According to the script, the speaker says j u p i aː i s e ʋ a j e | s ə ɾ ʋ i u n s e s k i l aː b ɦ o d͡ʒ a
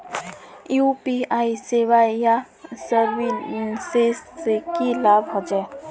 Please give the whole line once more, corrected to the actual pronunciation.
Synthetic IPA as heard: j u p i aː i s e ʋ a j a | s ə ɾ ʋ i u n s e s k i l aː b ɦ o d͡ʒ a

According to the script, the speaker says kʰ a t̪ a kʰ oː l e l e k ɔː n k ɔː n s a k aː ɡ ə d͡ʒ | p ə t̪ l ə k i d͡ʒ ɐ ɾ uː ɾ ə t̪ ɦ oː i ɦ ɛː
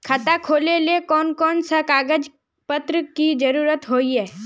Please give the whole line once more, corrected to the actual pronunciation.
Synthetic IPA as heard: kʰ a t̪ a kʰ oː l e l e k ɔː n k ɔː n s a k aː ɡ ə d͡ʒ | p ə t̪ ɾ ə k i d͡ʒ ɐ ɾ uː ɾ ə t̪ ɦ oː i ɦ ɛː

